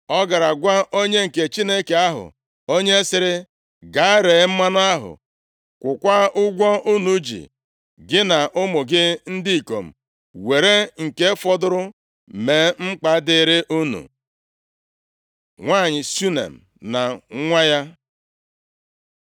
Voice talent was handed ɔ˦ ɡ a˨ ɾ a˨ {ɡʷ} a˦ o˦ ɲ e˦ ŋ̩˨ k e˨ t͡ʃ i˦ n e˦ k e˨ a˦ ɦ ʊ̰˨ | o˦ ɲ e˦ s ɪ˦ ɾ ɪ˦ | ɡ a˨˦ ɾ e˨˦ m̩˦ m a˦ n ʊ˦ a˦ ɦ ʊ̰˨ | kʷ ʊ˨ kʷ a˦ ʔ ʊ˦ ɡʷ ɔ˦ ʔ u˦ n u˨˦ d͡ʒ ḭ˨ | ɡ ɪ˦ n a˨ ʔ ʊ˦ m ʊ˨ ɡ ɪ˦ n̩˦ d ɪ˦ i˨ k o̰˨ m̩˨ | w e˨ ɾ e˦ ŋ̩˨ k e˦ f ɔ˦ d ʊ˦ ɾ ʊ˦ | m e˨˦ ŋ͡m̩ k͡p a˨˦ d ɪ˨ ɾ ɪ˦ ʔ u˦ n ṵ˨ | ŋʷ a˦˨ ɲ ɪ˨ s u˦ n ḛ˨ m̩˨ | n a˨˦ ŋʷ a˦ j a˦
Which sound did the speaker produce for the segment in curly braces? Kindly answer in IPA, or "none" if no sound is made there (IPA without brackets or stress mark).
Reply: ɡʷ